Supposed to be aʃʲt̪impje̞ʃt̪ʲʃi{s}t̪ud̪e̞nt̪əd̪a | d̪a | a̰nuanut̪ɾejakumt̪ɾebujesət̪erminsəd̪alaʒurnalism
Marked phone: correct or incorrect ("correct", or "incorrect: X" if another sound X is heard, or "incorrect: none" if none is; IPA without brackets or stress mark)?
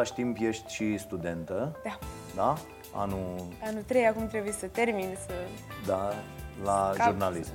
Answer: correct